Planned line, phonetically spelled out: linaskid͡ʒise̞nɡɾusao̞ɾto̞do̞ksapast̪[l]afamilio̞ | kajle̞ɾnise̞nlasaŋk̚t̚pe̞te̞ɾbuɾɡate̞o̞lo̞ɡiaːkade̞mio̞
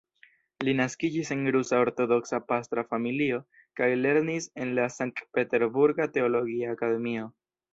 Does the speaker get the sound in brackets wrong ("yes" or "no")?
yes